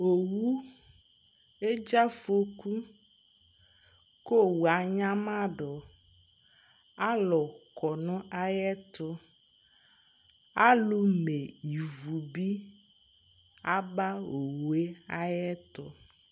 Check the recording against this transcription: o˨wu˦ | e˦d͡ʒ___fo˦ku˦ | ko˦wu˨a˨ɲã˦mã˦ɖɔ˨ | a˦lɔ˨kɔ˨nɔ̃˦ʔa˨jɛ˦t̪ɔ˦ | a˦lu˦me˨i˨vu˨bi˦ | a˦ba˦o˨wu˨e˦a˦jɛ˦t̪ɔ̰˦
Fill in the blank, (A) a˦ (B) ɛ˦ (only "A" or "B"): A